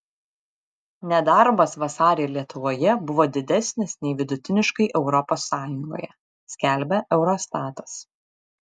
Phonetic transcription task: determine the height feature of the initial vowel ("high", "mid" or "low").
mid